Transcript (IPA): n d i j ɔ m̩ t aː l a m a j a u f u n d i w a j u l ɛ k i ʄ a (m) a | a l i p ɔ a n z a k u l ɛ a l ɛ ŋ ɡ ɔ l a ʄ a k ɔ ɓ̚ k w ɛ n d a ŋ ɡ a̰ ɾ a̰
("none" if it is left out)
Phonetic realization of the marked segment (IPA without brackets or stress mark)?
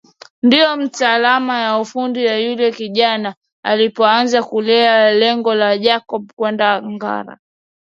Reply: n